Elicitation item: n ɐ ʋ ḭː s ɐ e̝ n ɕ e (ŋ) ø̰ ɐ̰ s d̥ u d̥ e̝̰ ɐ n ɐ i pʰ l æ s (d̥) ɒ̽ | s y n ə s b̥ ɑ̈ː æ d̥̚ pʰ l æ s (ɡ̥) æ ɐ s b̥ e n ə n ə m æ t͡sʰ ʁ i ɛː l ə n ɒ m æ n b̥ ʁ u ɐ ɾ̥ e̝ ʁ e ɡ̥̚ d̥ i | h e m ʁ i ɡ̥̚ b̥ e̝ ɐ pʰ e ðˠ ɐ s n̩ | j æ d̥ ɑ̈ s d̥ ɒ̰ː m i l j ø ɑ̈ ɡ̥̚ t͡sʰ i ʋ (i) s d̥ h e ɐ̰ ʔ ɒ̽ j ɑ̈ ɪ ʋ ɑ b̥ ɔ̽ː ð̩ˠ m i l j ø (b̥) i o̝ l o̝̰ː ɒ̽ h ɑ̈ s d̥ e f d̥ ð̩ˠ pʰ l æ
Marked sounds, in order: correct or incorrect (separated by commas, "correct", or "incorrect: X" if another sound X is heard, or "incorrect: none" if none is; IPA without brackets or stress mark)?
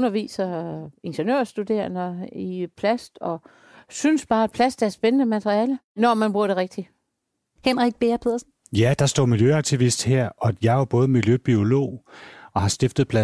incorrect: n, correct, incorrect: d̥, correct, correct